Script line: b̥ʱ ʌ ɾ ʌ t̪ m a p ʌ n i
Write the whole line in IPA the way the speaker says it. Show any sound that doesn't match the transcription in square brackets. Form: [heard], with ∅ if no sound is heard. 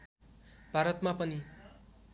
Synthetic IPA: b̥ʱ [a] ɾ ʌ t̪ m a p ʌ n i

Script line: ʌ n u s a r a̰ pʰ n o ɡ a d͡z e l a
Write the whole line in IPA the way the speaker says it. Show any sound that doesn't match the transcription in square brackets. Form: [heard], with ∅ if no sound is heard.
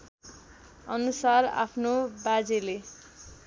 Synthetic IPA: ʌ n u s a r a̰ pʰ n o [b] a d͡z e l [e]

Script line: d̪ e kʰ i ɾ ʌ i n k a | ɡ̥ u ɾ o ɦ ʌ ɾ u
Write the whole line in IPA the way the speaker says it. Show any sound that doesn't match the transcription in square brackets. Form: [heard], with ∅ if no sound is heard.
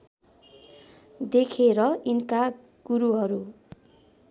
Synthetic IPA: d̪ e kʰ [e] ɾ ʌ i n k a | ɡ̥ u ɾ [u] ɦ ʌ ɾ u

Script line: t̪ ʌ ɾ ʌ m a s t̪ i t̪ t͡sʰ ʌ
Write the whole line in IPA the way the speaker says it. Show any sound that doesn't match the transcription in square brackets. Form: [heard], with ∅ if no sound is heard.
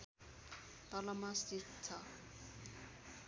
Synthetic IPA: t̪ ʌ [l] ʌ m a s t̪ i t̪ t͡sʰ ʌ

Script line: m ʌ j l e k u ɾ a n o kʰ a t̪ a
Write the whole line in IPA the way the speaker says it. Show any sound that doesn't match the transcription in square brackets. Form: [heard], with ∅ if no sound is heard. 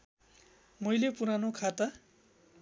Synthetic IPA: m ʌ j l e [p] u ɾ a n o kʰ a t̪ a

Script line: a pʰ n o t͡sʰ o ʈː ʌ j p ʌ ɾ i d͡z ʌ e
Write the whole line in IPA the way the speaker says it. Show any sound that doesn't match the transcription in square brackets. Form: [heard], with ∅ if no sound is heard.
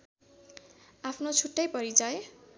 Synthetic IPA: a pʰ n o t͡sʰ [u] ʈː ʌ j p ʌ ɾ i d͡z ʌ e

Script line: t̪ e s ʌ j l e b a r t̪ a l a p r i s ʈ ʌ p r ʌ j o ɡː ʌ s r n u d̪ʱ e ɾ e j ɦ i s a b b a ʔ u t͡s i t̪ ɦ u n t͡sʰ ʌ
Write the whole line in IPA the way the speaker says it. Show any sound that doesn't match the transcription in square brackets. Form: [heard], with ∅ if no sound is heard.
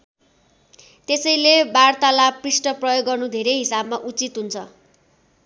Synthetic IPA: t̪ e s ʌ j l e b a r t̪ a l a p r i s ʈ ʌ p r ʌ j o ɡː ʌ [∅] r n u d̪ʱ e ɾ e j ɦ i s a b [m] a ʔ u t͡s i t̪ ɦ u n t͡sʰ ʌ

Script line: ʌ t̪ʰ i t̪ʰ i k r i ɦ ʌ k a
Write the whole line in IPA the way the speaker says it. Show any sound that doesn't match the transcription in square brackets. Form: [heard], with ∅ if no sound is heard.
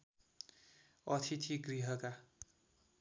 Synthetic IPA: ʌ t̪ʰ i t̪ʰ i [ɡ] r i ɦ ʌ k a

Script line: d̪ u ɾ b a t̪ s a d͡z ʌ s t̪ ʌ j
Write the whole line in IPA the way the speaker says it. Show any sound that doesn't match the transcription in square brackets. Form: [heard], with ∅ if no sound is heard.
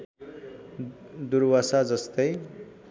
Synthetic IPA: d̪ u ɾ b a [∅] s a d͡z ʌ s t̪ ʌ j

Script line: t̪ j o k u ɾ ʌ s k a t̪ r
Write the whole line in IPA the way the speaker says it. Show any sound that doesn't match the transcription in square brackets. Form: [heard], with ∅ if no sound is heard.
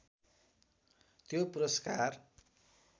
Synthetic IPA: t̪ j o [p] u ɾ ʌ s k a [∅] r

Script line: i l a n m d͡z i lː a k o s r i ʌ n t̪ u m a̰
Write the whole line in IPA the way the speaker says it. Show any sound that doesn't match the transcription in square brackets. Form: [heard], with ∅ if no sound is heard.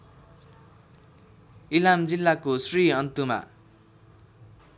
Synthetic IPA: i l a [∅] m d͡z i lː a k o s r i ʌ n t̪ u m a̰

